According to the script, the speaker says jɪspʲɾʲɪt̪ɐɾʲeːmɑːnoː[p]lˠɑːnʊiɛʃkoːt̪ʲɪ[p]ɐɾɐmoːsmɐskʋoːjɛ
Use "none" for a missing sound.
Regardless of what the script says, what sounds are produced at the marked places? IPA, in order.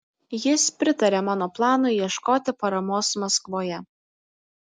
p, p

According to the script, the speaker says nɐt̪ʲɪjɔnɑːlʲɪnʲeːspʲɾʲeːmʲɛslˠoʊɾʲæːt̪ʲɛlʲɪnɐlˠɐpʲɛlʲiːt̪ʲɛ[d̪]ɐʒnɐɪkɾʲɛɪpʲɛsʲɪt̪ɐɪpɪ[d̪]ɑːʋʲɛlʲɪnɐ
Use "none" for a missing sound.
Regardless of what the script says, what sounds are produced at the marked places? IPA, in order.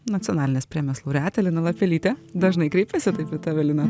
d̪, t̪

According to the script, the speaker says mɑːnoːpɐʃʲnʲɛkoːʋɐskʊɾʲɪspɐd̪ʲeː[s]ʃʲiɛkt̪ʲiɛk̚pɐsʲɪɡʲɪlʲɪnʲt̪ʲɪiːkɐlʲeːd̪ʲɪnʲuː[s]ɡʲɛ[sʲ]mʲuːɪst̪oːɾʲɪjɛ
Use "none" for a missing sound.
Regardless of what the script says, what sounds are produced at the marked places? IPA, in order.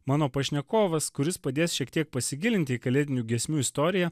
s, none, sʲ

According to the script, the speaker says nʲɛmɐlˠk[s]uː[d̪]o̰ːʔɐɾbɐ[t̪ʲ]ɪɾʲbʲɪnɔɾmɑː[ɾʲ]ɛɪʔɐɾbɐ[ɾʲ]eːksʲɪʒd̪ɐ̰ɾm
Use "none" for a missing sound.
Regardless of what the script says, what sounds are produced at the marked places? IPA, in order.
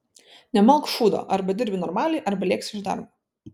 ʃ, d̪, d̪ʲ, lʲ, lʲ

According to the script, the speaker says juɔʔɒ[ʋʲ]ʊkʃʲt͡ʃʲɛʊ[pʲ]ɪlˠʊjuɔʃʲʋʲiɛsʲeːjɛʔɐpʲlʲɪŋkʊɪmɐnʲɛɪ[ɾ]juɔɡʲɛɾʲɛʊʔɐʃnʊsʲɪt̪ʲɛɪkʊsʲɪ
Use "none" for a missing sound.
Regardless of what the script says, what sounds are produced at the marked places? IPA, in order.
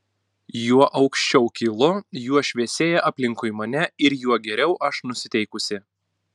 none, kʲ, ɾ

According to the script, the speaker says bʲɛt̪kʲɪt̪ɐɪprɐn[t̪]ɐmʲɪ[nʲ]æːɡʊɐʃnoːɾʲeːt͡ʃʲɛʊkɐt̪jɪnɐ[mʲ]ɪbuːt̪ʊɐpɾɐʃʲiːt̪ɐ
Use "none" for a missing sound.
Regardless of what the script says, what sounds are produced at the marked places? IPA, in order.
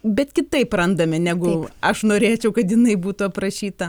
d̪, nʲ, none

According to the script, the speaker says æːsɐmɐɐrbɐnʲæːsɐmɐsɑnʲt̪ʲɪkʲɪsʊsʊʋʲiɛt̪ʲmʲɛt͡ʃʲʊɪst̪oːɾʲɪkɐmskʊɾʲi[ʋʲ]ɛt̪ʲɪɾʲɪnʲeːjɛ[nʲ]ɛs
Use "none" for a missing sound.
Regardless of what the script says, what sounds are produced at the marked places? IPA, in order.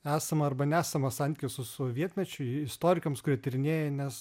none, nʲ

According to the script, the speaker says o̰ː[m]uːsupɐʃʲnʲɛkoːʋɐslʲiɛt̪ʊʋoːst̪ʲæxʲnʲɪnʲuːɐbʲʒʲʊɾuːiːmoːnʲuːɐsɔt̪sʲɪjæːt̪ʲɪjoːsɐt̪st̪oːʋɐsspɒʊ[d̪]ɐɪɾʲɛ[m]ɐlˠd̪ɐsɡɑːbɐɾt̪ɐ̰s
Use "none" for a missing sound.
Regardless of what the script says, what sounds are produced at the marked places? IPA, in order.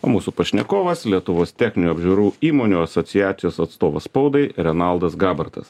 m, d̪, n

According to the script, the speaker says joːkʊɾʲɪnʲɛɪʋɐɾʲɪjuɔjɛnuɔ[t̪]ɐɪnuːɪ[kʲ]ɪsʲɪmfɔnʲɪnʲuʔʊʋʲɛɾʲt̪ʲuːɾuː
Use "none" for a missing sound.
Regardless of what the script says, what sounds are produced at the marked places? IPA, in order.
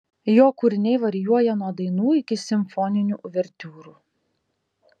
d̪, kʲ

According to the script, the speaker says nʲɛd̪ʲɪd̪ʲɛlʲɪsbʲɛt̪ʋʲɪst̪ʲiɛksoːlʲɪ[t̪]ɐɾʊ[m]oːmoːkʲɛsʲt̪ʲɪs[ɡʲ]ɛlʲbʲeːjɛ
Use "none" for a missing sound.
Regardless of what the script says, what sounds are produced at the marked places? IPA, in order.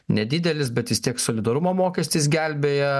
d̪, m, ɡʲ

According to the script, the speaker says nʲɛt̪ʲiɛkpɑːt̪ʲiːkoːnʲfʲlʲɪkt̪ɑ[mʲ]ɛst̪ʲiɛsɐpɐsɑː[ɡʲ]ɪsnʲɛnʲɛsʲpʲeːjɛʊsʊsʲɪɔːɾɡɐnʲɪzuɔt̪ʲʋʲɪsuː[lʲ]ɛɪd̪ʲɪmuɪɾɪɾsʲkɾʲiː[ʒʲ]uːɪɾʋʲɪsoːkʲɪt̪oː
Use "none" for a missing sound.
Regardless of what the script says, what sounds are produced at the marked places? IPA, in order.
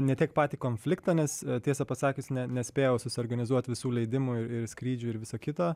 nʲ, kʲ, lʲ, d͡ʒʲ

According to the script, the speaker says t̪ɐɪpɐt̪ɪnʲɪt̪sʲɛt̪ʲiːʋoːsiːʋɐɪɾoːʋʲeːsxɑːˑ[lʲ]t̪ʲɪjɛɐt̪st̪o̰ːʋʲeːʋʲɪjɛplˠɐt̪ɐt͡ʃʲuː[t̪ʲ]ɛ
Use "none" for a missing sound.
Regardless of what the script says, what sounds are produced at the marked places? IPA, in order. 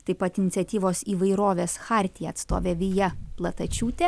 ɾʲ, t̪ʲ

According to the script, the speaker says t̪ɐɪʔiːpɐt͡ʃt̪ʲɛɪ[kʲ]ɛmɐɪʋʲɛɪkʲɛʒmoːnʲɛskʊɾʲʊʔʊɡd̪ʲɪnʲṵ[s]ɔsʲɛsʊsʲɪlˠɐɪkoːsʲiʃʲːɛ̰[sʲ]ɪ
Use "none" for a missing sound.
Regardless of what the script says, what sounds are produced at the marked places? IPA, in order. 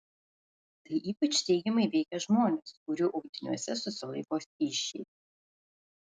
ɡʲ, none, none

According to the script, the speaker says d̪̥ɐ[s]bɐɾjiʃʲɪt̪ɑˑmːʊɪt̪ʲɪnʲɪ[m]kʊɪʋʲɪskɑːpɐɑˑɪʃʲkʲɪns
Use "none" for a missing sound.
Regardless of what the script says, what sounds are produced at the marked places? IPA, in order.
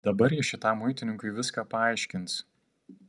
none, ŋ

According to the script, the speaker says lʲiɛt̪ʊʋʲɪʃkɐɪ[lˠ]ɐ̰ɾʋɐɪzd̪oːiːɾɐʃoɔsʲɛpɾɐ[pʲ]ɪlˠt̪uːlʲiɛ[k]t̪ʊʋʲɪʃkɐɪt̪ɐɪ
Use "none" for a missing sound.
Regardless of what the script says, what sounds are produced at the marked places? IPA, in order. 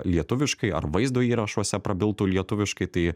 none, bʲ, none

